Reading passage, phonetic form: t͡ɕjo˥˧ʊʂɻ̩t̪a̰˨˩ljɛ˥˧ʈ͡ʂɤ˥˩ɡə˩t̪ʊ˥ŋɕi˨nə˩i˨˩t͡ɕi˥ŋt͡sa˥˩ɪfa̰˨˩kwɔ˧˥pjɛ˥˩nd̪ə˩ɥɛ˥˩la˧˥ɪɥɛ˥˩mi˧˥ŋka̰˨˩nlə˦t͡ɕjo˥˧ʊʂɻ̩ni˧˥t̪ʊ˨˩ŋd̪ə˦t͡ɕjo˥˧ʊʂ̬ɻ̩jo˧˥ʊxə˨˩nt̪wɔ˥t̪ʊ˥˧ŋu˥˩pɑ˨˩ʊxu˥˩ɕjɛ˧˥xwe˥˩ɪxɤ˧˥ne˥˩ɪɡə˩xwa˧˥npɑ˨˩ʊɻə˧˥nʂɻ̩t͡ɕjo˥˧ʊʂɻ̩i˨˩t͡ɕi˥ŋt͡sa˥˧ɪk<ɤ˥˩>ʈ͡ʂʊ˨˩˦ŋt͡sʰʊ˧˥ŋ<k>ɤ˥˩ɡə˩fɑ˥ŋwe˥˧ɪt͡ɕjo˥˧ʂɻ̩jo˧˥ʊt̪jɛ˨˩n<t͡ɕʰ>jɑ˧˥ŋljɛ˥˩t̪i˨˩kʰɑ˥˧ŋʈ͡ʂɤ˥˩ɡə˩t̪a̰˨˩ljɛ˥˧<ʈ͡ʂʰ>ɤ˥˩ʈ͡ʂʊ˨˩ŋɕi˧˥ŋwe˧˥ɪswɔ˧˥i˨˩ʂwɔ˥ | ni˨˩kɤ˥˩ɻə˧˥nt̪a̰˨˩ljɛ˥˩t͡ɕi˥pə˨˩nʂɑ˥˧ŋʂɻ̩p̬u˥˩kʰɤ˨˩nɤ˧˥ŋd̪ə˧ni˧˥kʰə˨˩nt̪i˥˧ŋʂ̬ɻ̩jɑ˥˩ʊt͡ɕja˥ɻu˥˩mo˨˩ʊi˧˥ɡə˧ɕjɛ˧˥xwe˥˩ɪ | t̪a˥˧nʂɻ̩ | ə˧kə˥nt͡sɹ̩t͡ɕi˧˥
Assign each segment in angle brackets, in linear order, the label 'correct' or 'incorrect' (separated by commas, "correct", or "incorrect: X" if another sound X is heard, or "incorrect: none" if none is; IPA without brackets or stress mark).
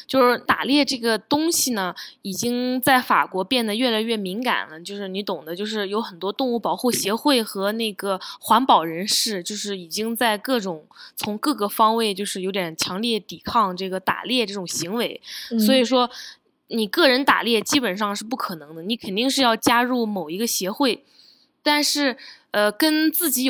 correct, correct, correct, incorrect: ʈ͡ʂ